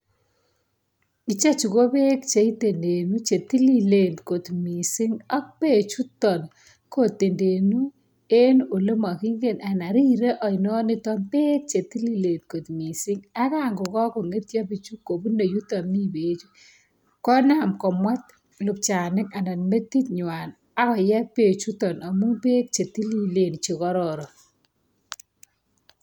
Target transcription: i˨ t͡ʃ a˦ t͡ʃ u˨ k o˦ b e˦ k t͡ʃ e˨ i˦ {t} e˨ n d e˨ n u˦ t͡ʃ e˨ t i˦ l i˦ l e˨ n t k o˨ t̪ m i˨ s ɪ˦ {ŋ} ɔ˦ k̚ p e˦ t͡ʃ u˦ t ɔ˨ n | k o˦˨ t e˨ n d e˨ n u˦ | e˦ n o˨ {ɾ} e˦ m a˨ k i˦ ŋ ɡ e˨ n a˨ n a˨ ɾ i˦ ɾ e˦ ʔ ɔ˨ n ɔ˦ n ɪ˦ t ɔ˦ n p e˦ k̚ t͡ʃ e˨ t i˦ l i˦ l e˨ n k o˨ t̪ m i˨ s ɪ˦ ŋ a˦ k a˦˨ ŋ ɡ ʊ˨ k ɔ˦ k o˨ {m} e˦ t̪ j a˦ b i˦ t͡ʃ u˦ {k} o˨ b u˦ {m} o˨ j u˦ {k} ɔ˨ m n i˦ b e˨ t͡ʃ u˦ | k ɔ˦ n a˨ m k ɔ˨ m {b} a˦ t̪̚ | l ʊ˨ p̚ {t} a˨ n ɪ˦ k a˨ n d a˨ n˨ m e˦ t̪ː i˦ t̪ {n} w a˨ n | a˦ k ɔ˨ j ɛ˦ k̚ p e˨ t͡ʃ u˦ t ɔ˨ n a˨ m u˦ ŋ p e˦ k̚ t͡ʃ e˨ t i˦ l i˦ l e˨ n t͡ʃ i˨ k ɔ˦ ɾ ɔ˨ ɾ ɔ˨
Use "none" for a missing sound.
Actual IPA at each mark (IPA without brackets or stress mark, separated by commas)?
t, ŋ, l, ŋ, k, n, t, w, t͡ʃ, ɲ